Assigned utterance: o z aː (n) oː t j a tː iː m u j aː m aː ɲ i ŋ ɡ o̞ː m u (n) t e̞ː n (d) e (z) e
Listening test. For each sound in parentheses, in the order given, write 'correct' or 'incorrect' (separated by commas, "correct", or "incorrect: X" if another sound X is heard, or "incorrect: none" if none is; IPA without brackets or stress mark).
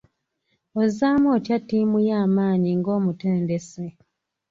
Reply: incorrect: m, incorrect: none, correct, incorrect: s